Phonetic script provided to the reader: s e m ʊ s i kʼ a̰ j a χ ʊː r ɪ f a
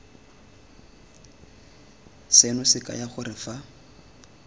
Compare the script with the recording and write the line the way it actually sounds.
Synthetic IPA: s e n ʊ s ɪ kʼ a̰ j a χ ʊ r ɪ f a